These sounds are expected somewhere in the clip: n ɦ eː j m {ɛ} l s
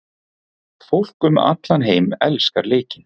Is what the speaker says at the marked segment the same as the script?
yes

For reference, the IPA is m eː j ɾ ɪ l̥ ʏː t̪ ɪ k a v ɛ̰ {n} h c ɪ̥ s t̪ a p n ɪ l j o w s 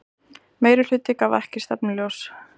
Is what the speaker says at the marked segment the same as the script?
no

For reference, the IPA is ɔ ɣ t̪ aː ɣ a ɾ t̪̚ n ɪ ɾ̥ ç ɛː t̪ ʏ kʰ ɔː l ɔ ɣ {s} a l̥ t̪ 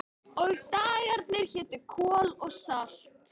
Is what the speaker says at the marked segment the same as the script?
yes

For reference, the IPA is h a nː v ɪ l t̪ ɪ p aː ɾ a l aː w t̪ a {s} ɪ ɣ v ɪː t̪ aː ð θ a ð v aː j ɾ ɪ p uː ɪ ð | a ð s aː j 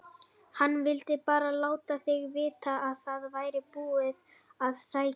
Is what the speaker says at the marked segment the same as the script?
no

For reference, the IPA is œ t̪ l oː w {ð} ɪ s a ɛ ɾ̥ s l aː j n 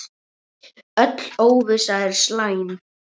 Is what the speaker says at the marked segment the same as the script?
no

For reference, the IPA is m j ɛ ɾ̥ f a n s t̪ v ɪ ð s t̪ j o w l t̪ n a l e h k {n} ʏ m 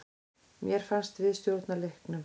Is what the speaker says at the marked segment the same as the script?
yes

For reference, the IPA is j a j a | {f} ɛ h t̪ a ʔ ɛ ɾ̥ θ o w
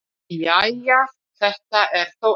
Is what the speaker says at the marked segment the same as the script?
no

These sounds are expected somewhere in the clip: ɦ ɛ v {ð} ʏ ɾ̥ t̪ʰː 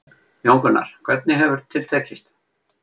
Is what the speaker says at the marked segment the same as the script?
no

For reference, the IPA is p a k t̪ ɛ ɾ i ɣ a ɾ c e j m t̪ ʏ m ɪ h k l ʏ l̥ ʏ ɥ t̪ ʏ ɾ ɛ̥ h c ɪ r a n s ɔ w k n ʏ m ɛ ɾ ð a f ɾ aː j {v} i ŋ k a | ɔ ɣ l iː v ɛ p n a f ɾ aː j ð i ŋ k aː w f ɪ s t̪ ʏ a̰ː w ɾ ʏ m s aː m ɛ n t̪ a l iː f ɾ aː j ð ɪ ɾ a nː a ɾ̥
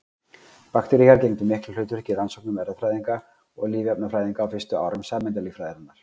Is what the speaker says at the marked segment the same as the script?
no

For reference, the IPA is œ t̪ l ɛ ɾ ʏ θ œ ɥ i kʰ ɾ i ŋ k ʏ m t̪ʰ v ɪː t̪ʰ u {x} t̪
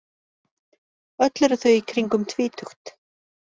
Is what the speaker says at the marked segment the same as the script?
yes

